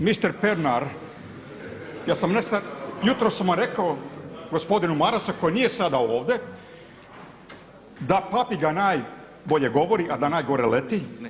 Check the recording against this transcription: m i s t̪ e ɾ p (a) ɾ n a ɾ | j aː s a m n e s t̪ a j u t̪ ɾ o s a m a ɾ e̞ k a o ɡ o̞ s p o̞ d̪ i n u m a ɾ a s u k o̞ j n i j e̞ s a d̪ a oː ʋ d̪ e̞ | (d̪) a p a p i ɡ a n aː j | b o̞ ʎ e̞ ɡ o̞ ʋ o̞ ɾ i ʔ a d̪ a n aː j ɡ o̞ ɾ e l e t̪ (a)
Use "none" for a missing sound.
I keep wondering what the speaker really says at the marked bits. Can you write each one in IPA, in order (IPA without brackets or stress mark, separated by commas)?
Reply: e, d̪, i